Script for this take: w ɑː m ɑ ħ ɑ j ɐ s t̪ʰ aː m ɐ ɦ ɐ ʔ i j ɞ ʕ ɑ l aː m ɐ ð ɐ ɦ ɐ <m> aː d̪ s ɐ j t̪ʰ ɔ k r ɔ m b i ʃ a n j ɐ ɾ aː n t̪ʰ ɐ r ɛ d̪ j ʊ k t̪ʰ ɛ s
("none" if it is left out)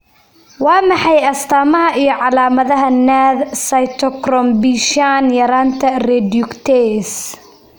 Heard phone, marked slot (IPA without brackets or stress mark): n